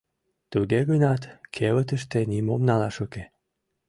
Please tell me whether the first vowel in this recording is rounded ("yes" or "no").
yes